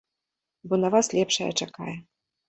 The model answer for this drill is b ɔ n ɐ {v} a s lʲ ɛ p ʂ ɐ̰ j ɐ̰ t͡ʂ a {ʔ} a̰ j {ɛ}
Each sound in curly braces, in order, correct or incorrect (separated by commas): correct, incorrect, correct